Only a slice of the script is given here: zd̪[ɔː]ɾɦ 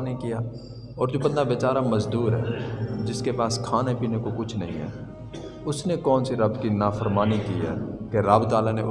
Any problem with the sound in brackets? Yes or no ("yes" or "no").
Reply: yes